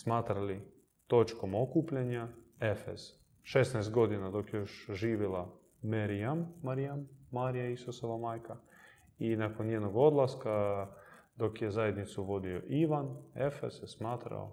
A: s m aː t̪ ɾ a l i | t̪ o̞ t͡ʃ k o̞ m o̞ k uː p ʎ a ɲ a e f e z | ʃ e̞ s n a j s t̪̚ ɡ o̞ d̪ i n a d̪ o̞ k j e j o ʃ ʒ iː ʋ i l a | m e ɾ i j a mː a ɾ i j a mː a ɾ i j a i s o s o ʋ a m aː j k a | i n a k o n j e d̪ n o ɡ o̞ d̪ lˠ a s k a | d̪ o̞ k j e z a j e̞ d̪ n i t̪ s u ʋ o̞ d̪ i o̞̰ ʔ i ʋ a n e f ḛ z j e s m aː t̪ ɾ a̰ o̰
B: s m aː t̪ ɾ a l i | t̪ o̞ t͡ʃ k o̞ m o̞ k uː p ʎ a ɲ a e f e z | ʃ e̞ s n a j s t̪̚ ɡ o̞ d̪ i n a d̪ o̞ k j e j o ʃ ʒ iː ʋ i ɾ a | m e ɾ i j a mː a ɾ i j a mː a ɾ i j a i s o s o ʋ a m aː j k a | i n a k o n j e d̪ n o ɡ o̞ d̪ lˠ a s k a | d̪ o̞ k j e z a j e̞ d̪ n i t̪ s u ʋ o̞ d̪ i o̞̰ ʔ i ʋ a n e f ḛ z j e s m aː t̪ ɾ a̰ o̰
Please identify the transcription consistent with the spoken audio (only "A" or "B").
A